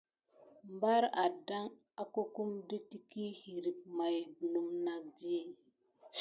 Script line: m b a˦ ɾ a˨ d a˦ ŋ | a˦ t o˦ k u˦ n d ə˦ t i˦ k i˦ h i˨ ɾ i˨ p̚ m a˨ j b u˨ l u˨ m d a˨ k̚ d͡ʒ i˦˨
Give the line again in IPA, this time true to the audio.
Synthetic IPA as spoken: m b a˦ ɾ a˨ d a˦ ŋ | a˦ k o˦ k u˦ m d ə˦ t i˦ k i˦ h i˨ ɾ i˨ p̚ m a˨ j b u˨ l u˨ m n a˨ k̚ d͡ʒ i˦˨